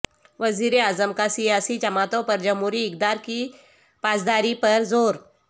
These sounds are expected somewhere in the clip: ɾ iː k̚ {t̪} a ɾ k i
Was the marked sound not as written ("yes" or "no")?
yes